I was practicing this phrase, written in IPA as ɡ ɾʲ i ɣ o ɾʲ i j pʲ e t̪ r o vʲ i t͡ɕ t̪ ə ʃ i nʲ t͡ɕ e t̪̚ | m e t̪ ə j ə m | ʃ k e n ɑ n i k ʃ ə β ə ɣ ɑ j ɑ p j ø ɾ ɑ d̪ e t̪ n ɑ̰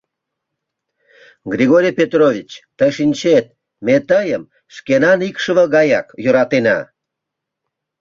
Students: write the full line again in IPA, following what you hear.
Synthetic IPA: ɡ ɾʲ i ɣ o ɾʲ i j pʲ e t̪ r o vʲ i t͡ɕ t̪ ə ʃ i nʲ t͡ɕ e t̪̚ | m e t̪ ə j ə m | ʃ k e n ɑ n i k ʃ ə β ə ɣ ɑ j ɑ k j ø ɾ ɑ t̪ e n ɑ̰